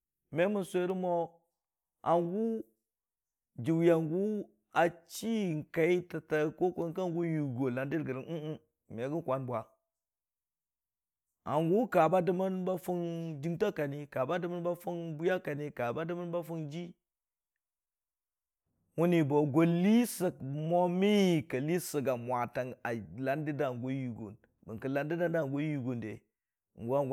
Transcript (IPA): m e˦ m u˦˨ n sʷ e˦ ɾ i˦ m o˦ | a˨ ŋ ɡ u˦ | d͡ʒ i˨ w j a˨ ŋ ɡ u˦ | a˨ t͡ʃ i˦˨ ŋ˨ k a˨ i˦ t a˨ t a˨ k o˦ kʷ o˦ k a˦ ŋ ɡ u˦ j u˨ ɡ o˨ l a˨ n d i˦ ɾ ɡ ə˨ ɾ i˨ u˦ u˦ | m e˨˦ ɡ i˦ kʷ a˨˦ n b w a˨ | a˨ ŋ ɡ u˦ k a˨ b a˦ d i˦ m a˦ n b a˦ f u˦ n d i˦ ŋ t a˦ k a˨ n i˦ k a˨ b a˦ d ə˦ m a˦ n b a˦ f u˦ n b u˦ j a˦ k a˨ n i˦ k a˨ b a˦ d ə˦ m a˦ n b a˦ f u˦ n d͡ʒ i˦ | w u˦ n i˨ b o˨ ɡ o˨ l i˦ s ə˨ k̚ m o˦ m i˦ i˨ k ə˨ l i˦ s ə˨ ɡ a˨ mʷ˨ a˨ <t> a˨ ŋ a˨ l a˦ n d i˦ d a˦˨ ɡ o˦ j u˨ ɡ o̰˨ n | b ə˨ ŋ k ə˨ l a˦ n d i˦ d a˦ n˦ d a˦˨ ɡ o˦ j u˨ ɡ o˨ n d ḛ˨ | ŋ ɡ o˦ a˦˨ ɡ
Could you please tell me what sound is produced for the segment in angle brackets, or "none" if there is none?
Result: t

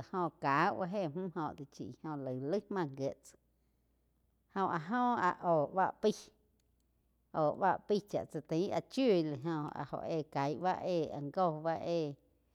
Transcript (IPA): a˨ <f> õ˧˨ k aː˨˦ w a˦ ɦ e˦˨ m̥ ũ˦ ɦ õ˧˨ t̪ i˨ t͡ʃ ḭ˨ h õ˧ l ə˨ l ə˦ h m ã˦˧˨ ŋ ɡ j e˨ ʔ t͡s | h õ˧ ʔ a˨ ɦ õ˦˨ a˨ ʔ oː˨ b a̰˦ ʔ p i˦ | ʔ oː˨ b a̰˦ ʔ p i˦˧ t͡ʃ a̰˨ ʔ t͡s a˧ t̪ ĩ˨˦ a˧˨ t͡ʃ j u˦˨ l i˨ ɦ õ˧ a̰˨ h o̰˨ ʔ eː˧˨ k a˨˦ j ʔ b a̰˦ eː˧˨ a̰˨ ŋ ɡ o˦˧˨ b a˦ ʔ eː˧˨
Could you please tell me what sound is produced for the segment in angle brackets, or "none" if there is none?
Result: h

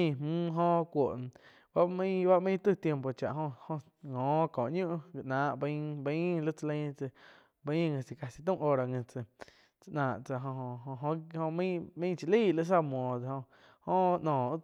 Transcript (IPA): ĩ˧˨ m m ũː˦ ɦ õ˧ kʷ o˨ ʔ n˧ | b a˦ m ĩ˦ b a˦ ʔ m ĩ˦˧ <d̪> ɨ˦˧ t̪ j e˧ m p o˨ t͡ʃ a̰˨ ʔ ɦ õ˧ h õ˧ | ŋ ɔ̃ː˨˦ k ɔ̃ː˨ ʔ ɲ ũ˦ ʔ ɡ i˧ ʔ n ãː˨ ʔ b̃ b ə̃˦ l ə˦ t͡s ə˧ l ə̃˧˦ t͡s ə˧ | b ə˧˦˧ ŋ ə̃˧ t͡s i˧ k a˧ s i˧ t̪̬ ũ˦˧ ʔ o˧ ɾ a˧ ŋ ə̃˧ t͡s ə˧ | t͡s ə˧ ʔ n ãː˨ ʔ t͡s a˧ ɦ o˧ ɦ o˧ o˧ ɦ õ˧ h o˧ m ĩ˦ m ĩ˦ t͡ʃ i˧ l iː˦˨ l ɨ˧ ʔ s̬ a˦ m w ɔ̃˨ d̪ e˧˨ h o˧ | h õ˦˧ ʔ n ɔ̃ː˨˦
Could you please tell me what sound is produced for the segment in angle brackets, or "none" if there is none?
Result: t̪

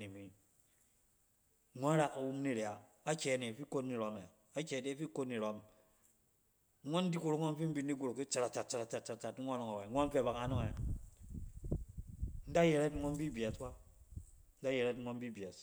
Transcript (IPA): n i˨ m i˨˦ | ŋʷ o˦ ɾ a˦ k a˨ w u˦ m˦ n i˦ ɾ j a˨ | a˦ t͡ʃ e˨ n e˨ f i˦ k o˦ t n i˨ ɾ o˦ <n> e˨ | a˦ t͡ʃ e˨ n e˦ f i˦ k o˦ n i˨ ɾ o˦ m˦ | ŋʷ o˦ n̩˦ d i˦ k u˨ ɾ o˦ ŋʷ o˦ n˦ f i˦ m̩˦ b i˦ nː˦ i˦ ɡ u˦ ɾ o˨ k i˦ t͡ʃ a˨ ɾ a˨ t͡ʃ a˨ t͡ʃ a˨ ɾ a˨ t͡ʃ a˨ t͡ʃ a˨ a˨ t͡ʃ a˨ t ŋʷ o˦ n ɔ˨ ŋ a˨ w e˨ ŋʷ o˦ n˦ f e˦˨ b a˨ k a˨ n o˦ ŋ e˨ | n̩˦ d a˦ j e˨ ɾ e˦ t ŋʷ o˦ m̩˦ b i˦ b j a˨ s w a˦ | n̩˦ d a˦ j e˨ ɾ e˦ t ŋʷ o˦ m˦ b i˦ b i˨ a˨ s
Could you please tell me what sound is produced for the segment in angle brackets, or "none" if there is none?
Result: m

